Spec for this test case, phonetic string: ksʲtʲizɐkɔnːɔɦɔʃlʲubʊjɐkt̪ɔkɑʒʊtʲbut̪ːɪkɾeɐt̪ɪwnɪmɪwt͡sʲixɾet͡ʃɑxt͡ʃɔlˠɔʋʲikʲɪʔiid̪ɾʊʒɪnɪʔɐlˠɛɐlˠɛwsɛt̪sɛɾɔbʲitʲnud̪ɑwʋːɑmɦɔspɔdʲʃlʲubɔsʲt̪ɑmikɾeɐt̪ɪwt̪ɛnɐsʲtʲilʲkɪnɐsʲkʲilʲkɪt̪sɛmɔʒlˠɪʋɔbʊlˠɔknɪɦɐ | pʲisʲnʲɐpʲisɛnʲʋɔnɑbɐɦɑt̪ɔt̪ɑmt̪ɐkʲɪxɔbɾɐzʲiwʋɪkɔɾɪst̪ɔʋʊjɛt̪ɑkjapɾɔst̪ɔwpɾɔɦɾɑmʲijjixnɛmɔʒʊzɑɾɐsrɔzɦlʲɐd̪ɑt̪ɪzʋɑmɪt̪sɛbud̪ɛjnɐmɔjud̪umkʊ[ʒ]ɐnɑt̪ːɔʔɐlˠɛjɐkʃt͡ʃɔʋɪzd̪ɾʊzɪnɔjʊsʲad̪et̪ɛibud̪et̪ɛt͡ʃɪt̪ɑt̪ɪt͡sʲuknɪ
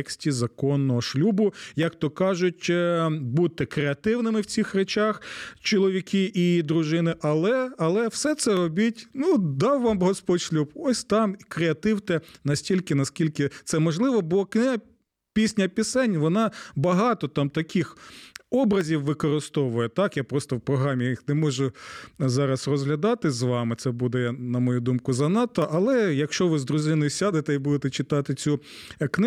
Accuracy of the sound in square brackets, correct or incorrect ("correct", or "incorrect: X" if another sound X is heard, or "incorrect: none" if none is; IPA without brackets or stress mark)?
incorrect: z